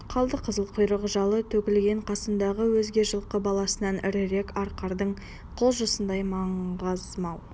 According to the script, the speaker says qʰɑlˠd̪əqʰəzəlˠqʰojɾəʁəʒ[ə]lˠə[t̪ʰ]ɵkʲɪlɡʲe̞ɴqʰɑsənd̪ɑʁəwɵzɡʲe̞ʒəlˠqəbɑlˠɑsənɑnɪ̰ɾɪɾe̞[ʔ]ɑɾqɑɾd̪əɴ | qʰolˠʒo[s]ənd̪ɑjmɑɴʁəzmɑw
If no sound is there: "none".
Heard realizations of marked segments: ɑ, t̪ʰ, k, s

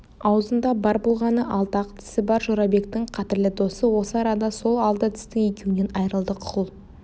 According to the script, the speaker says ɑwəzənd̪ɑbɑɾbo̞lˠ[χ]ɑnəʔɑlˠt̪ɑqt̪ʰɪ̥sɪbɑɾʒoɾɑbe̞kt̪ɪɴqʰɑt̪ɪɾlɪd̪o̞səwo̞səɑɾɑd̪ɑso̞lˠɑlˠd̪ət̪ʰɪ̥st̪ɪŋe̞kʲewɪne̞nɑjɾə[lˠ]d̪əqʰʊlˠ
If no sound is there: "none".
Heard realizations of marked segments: ʁ, lˠ

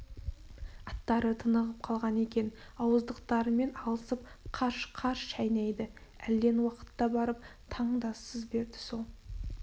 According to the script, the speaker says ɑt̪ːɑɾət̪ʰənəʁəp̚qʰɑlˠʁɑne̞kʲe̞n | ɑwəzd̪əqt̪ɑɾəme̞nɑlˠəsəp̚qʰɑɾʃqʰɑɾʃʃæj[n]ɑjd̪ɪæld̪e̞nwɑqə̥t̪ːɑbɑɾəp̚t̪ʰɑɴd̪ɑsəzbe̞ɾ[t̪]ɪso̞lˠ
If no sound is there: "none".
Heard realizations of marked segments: n, d̪

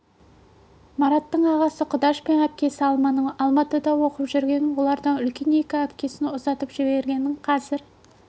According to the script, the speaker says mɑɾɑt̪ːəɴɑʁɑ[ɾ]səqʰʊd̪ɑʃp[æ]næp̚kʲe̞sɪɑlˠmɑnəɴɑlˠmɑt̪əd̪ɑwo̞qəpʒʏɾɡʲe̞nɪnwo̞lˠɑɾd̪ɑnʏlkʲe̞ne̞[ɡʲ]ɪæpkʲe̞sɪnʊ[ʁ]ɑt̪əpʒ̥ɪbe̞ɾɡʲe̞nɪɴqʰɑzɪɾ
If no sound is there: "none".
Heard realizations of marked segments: none, e, kʲ, z

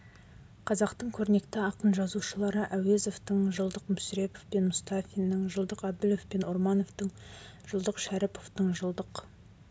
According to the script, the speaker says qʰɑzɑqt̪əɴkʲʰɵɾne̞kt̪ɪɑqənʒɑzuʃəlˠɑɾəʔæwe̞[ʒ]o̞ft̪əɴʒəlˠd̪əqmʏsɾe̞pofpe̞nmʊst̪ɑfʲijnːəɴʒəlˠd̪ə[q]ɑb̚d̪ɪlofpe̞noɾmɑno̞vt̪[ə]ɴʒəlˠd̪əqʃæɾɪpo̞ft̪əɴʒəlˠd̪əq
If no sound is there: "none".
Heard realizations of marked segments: z, q, ə

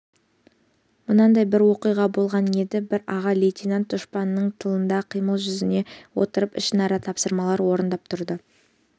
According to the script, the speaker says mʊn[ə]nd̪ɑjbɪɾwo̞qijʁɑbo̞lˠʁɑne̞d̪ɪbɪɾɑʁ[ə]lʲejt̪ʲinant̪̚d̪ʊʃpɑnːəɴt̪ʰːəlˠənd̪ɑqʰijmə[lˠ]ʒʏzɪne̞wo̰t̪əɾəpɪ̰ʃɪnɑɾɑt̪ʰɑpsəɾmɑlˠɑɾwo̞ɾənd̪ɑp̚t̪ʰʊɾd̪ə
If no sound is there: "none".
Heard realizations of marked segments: ɑ, ɑ, lˠ

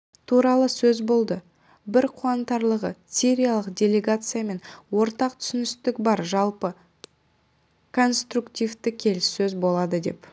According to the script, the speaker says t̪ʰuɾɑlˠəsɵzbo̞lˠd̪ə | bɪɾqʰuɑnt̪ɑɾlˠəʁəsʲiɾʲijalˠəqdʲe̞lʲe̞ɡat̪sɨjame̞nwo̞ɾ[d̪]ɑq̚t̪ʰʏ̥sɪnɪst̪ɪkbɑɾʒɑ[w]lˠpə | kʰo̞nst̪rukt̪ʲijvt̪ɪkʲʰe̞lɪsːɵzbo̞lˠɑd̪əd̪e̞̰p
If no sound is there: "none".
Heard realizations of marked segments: t̪, none

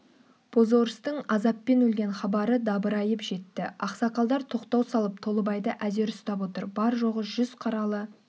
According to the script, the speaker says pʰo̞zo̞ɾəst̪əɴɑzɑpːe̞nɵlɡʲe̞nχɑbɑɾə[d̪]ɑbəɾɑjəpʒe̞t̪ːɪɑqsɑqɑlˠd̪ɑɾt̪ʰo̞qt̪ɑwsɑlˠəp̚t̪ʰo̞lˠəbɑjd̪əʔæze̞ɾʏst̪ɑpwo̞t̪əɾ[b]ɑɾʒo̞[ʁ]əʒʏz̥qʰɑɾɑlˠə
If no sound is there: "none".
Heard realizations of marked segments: d̪, b, ʁ

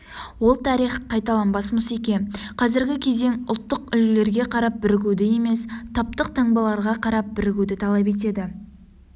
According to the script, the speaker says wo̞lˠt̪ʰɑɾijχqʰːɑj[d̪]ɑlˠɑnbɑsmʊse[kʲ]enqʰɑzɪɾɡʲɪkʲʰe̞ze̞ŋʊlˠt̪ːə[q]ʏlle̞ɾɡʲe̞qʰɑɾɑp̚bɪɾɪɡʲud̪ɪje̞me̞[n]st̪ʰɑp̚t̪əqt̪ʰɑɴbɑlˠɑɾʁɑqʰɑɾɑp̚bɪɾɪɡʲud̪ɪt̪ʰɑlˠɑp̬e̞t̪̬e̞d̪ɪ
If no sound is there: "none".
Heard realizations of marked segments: t̪, kʲ, q, none

